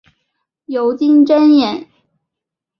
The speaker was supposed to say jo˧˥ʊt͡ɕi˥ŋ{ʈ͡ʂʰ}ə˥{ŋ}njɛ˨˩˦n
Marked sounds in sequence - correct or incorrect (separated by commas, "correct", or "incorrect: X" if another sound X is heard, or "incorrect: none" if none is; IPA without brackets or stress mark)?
incorrect: ʈ͡ʂ, incorrect: none